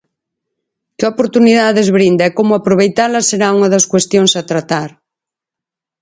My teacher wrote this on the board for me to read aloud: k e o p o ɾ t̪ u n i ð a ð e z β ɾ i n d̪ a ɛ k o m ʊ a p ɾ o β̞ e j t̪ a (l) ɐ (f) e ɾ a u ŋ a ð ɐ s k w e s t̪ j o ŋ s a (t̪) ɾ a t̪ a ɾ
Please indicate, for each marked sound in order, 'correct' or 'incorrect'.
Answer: correct, incorrect: s, correct

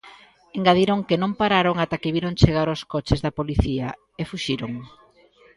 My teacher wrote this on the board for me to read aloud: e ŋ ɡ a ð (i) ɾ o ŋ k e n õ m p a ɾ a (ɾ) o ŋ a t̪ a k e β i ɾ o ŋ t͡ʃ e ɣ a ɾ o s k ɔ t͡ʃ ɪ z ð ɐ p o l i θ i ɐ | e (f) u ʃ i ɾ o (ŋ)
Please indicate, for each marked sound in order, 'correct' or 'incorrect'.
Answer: correct, correct, correct, correct

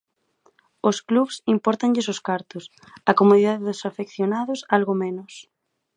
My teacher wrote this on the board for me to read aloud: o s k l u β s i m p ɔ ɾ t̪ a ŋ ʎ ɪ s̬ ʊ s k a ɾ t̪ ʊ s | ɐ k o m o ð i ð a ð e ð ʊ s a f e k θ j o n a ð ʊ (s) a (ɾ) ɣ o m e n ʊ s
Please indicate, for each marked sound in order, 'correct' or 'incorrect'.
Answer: correct, incorrect: l

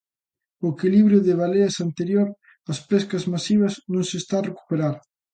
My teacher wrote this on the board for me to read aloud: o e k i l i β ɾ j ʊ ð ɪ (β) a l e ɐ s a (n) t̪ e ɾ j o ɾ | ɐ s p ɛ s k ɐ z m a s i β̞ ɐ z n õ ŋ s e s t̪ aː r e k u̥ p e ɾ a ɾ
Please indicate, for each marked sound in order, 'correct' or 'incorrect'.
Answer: correct, correct

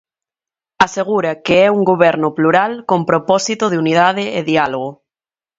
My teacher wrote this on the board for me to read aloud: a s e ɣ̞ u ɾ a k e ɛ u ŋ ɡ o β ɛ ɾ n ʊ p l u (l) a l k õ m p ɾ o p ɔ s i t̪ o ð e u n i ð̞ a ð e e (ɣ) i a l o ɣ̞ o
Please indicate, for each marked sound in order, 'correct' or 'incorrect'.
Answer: incorrect: ɾ, incorrect: ð

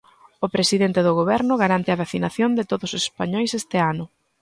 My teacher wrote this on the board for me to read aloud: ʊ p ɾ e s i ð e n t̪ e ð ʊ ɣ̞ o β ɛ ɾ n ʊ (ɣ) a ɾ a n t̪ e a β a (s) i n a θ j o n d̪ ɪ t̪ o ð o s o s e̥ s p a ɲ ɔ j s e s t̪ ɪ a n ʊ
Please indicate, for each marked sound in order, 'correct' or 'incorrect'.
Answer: correct, incorrect: θ

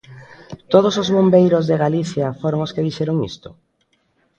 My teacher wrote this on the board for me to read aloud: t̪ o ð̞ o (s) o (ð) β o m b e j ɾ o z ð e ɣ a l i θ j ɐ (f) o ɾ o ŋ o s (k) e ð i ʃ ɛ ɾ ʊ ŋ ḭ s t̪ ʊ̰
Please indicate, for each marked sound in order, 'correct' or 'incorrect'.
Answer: correct, incorrect: z, correct, correct

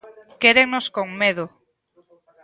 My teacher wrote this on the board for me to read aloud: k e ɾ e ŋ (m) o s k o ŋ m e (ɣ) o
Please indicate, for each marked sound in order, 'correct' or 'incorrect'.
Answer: incorrect: n, incorrect: ð

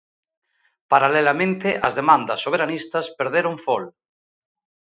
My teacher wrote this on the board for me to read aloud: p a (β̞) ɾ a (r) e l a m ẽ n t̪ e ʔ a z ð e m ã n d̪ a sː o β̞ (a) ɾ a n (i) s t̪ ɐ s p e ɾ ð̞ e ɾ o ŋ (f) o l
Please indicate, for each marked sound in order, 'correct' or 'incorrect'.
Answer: incorrect: none, incorrect: l, incorrect: e, correct, correct

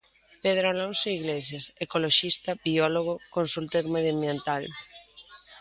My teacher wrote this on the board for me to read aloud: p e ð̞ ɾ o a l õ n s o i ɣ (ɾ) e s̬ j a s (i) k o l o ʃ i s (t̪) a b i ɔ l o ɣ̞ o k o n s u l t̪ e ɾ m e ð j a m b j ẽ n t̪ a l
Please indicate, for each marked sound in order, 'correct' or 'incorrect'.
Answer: incorrect: l, incorrect: e, correct

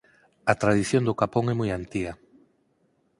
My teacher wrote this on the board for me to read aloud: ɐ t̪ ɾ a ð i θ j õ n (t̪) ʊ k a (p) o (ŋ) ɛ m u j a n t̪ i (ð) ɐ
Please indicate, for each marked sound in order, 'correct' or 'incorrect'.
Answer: incorrect: d̪, correct, correct, incorrect: ɣ

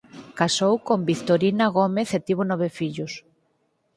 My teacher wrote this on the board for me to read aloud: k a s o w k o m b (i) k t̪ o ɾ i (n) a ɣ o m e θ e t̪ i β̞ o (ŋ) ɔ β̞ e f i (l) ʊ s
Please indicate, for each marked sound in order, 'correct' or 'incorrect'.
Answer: correct, correct, incorrect: n, incorrect: ʎ

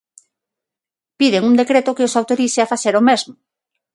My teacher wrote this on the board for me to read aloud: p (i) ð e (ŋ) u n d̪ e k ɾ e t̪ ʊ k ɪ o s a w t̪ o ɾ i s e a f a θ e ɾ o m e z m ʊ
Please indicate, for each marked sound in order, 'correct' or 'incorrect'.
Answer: correct, correct

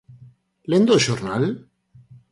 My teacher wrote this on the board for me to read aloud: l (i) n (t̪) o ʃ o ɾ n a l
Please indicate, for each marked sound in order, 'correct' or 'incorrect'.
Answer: incorrect: e, incorrect: d̪

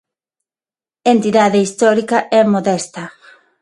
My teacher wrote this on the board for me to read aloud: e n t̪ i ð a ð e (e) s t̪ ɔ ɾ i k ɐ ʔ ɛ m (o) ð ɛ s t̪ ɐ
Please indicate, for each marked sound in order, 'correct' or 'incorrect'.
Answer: incorrect: i, correct

